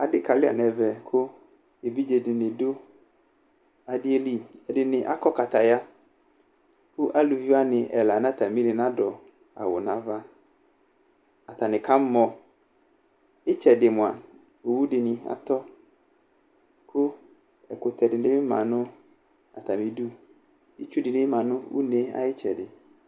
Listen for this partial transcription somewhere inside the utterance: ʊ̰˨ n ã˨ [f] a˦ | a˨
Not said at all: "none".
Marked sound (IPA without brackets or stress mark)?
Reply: v